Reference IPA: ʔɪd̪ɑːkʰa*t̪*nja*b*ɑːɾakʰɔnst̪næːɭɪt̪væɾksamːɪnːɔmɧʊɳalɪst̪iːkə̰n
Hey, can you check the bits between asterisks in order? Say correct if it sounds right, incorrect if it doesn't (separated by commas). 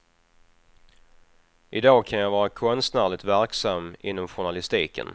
incorrect, incorrect